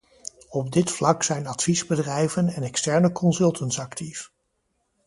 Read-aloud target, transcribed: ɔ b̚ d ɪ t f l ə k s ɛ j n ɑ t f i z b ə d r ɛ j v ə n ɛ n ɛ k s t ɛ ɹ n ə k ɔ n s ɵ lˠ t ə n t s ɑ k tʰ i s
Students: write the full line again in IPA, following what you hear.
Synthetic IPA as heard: ɔ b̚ d ɪ t f l ɑ k s ɛ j n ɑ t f i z b ə d r ɛ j v ə n ɛ n ɛ k s t ɛ ɹ n ə k ɔ n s ɵ lˠ t ə n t s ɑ k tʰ i f